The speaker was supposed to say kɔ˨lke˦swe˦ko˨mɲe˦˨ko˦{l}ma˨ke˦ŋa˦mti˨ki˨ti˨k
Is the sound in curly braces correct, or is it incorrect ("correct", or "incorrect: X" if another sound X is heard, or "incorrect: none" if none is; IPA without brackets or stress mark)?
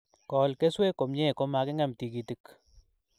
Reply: incorrect: none